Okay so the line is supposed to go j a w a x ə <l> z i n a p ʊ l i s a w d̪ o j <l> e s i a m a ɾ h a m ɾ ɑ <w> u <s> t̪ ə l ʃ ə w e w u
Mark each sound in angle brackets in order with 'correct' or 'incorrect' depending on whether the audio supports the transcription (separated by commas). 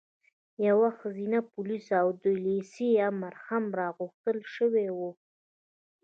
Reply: incorrect, correct, incorrect, incorrect